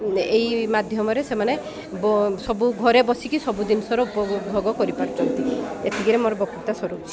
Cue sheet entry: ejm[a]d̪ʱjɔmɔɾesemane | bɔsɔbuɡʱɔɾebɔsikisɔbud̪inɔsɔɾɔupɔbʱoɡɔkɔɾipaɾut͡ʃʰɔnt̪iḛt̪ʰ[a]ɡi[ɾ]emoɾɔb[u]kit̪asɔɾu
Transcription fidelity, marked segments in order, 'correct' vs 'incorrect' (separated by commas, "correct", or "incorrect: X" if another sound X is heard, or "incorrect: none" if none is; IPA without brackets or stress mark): correct, incorrect: i, correct, incorrect: ɔ